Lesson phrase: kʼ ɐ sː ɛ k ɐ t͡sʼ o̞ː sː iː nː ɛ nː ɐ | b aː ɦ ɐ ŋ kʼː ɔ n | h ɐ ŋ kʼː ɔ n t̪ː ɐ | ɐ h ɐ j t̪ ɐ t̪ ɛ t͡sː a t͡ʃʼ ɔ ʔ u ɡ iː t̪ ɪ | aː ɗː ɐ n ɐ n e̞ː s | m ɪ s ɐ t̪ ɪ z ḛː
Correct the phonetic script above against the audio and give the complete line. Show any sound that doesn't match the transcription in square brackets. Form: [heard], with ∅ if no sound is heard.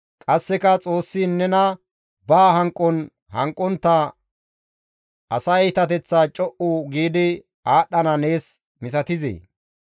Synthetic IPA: kʼ ɐ sː ɛ k ɐ t͡sʼ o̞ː sː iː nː ɛ [n] ɐ | b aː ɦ ɐ ŋ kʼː ɔ n | h ɐ ŋ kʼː ɔ n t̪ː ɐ | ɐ [s] ɐ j t̪ ɐ t̪ ɛ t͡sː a t͡ʃʼ ɔ ʔ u ɡ iː [d̪] ɪ | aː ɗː ɐ n ɐ n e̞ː s | m ɪ s ɐ t̪ ɪ z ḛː

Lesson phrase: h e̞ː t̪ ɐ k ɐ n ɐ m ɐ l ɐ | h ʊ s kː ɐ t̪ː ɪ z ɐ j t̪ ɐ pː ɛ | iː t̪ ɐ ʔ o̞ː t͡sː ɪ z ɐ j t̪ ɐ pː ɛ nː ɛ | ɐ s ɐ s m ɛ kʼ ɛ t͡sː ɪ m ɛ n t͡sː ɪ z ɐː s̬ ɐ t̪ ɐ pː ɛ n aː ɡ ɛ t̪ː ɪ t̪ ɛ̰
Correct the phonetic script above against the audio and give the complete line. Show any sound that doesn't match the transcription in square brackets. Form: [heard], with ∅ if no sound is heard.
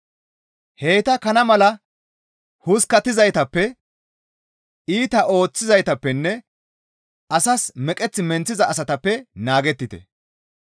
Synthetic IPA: h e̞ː t̪ ɐ k ɐ n ɐ m ɐ l ɐ | h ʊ s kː ɐ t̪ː ɪ z ɐ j t̪ ɐ pː ɛ | iː t̪ ɐ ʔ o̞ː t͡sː ɪ z ɐ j t̪ ɐ pː ɛ nː ɛ | ɐ s ɐ s m ɛ kʼ ɛ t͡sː ɪ m ɛ n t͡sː ɪ z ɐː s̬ ɐ t̪ ɐ pː ɛ n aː ɡ ɛ t̪ː ɪ t̪ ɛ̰

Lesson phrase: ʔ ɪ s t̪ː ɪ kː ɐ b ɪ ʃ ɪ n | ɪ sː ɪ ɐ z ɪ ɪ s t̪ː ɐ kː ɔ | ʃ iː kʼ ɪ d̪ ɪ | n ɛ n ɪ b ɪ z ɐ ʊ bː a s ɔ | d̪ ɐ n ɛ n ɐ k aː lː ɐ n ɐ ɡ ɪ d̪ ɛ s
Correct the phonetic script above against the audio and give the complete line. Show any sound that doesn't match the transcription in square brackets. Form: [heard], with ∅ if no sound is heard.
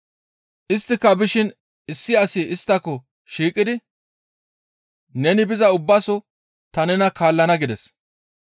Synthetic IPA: ʔ ɪ s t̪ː ɪ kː ɐ b ɪ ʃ ɪ n | ɪ sː ɪ ɐ [s] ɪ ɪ s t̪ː ɐ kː ɔ | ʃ iː kʼ ɪ d̪ ɪ | n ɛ n ɪ b ɪ z ɐ ʊ bː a s ɔ | [t̪] ɐ n ɛ n ɐ k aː lː ɐ n ɐ ɡ ɪ d̪ ɛ s

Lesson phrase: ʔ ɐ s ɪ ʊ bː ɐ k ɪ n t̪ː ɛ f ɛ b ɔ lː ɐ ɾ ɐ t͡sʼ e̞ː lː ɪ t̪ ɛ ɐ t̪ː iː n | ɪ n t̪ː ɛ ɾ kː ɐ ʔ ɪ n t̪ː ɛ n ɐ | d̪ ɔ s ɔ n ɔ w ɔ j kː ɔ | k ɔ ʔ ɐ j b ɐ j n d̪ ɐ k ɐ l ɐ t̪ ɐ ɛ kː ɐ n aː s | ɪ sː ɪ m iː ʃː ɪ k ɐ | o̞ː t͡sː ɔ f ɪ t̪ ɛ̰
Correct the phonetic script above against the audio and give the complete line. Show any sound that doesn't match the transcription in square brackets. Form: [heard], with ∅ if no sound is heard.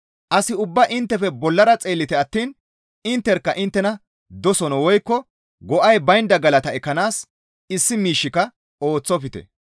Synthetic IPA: ʔ ɐ s ɪ ʊ bː ɐ [ʔ] ɪ n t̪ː ɛ f ɛ b ɔ lː ɐ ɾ ɐ t͡sʼ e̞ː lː ɪ t̪ ɛ ɐ t̪ː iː n | ɪ n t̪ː ɛ ɾ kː ɐ ʔ ɪ n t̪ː ɛ n ɐ | d̪ ɔ s ɔ n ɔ w ɔ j kː ɔ | [ɡ] ɔ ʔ ɐ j b ɐ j n d̪ ɐ [ɡ] ɐ l ɐ t̪ ɐ ɛ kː ɐ n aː s | ɪ sː ɪ m iː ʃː ɪ k ɐ | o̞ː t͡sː ɔ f ɪ t̪ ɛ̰

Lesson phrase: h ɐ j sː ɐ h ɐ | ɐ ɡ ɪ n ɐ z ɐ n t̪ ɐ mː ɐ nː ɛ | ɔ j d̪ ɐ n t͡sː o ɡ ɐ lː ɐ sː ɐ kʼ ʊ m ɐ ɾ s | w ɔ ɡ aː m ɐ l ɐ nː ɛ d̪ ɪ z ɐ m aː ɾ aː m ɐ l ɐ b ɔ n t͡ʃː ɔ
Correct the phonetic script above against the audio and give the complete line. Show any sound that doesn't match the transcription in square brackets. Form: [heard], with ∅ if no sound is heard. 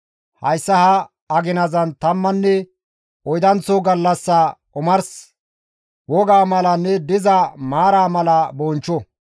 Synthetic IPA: h ɐ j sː ɐ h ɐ | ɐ ɡ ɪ n ɐ z ɐ n t̪ ɐ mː ɐ nː ɛ | ɔ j d̪ ɐ n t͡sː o ɡ ɐ lː ɐ sː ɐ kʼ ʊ m ɐ ɾ s | w ɔ ɡ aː m ɐ l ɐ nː ɛ d̪ ɪ z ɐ m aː ɾ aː m ɐ l ɐ b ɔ n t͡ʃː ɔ

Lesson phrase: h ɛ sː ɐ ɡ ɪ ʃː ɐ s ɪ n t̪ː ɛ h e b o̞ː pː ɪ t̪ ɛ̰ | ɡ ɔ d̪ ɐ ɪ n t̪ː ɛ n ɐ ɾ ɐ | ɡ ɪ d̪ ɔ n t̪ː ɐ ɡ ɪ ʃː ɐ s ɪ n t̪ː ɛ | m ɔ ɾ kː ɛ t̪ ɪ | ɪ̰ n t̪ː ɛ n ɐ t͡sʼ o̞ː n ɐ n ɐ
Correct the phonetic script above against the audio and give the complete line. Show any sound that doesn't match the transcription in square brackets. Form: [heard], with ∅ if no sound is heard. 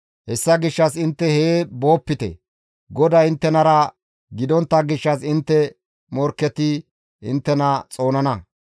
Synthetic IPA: h ɛ sː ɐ ɡ ɪ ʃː ɐ s ɪ n t̪ː ɛ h e b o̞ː pː ɪ t̪ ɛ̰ | ɡ ɔ d̪ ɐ ɪ n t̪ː ɛ n ɐ ɾ ɐ | ɡ ɪ d̪ ɔ n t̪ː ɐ ɡ ɪ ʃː ɐ s ɪ n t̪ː ɛ | m ɔ ɾ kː ɛ t̪ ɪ | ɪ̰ n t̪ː ɛ n ɐ t͡sʼ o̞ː n ɐ n ɐ

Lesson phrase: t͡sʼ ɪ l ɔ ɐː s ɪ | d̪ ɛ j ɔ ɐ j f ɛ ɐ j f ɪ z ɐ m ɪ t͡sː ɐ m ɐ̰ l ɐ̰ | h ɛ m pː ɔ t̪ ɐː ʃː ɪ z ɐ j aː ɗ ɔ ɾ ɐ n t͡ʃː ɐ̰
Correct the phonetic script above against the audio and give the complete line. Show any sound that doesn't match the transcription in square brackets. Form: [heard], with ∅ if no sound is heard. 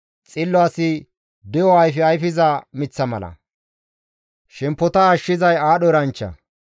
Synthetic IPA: t͡sʼ ɪ [lː] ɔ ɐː s ɪ | d̪ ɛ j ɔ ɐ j f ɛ ɐ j f ɪ z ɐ m ɪ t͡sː ɐ m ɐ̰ l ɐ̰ | [ʃ] ɛ m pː ɔ t̪ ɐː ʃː ɪ z ɐ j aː ɗ ɔ ɾ ɐ n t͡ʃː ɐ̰

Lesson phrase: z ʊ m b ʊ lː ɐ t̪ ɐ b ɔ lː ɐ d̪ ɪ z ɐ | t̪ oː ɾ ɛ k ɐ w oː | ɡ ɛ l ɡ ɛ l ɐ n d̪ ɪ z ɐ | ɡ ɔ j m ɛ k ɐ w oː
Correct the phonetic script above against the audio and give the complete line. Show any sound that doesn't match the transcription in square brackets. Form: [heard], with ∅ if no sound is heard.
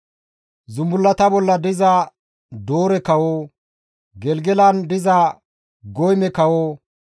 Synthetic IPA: z ʊ m b ʊ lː ɐ t̪ ɐ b ɔ lː ɐ d̪ ɪ z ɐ | [d̪] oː ɾ ɛ k ɐ w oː | ɡ ɛ l ɡ ɛ l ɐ n d̪ ɪ z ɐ | ɡ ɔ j m ɛ k ɐ w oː

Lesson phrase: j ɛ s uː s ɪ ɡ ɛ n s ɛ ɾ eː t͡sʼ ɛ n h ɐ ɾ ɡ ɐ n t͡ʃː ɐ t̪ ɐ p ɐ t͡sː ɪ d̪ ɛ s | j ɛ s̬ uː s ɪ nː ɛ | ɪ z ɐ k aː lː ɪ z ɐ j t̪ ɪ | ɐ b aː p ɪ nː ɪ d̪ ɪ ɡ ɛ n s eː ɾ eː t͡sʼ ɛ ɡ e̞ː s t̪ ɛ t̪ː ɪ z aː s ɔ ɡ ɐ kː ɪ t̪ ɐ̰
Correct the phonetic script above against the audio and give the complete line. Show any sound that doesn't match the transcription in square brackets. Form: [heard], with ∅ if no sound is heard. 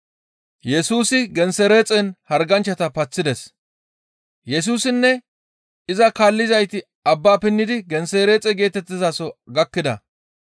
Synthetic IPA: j ɛ s uː s ɪ ɡ ɛ n s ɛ ɾ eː t͡sʼ ɛ n h ɐ ɾ ɡ ɐ n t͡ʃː ɐ t̪ ɐ p ɐ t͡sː ɪ d̪ ɛ s | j ɛ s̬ uː s ɪ nː ɛ | ɪ z ɐ k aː lː ɪ z ɐ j t̪ ɪ | ɐ [bː] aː p ɪ nː ɪ d̪ ɪ ɡ ɛ n s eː ɾ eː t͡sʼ ɛ ɡ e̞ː [∅] t̪ ɛ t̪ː ɪ z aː s ɔ ɡ ɐ kː ɪ [d̪] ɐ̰

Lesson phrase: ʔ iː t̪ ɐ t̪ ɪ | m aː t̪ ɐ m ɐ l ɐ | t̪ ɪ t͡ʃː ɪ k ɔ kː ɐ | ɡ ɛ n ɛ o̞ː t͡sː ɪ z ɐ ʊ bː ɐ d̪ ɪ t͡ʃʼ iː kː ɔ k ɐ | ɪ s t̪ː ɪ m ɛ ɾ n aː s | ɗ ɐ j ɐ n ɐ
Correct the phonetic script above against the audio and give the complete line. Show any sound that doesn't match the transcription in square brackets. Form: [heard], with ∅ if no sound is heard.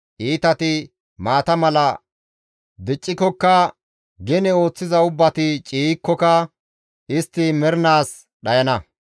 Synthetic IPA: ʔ iː t̪ ɐ t̪ ɪ | m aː t̪ ɐ m ɐ l ɐ | [d̪] ɪ [t͡ʃʼː] ɪ k ɔ kː ɐ | ɡ ɛ n ɛ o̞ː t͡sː ɪ z ɐ ʊ bː ɐ [t̪] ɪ t͡ʃʼ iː kː ɔ k ɐ | ɪ s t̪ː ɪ m ɛ ɾ n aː s | ɗ ɐ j ɐ n ɐ

